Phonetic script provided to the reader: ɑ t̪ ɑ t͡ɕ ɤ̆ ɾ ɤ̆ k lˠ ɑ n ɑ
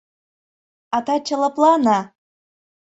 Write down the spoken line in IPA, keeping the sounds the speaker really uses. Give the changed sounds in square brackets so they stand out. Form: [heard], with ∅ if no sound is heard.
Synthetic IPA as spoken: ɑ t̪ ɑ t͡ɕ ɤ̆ [l] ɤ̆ [p] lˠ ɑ n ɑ